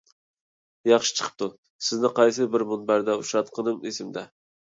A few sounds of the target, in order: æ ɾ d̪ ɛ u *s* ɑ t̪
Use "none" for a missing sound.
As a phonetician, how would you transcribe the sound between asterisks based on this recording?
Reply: ʃ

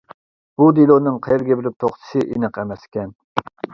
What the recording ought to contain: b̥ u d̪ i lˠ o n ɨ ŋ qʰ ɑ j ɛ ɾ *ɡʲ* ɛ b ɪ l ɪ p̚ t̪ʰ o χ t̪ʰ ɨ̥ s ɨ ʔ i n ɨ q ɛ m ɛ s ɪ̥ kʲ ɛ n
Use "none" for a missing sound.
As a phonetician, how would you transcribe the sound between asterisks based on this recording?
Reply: ɡʲ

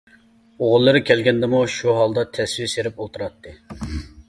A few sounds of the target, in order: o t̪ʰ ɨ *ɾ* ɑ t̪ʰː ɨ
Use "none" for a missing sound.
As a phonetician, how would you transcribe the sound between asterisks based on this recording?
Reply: ɾ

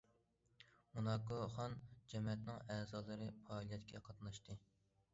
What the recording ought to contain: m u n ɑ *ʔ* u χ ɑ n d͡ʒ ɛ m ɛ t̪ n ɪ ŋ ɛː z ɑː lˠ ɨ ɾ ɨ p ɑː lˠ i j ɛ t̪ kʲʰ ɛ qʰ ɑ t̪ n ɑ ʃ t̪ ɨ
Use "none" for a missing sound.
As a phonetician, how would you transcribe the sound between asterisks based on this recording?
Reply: k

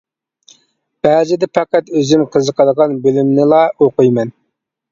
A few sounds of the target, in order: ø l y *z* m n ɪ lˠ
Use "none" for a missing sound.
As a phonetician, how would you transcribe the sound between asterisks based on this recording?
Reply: none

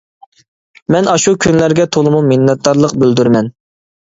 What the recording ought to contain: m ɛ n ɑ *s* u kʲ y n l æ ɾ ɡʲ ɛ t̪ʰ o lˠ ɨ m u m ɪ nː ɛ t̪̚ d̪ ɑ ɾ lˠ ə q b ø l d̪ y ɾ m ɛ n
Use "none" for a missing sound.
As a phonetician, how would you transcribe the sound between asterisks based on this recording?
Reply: ʃ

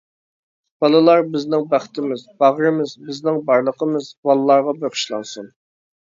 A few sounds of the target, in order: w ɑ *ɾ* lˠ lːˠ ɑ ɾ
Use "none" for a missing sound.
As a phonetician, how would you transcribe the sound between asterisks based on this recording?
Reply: none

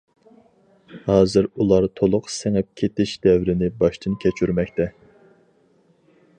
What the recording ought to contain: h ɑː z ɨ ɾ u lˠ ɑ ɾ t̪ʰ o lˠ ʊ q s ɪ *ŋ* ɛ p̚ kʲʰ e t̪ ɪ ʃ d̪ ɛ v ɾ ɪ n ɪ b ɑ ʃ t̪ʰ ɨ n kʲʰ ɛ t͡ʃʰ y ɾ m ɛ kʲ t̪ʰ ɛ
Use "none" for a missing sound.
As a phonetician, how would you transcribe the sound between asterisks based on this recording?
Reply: ŋ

